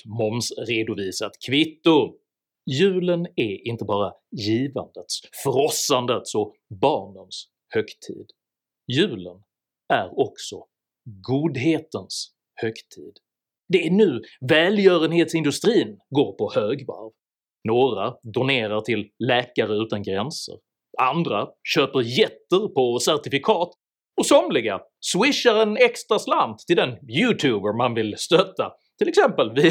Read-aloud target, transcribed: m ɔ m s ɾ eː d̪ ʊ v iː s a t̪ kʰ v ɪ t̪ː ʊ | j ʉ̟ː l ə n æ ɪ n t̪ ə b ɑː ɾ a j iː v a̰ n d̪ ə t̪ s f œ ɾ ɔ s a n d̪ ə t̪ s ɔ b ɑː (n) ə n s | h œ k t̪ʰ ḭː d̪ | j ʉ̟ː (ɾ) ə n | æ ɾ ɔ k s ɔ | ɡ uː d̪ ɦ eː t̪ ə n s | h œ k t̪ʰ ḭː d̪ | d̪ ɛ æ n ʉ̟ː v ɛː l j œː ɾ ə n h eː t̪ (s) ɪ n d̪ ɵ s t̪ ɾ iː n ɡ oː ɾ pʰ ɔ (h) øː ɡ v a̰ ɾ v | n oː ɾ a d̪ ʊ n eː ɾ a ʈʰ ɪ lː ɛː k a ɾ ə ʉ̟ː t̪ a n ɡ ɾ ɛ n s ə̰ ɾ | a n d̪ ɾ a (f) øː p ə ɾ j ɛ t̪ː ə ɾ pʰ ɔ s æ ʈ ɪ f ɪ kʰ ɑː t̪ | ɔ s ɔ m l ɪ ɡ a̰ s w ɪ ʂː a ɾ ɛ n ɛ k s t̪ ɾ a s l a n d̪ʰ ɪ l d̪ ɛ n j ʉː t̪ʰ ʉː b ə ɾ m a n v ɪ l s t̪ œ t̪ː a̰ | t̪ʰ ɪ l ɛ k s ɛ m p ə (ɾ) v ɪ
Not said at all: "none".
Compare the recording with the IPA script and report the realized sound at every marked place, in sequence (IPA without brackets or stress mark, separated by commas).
ɳ, l, s, h, ɕ, l